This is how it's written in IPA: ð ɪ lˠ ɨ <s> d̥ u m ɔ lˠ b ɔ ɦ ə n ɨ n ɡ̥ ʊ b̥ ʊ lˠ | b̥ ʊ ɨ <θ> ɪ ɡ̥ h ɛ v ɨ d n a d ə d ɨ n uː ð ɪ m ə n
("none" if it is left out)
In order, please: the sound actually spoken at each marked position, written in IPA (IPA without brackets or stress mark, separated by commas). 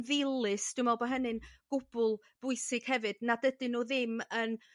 s, s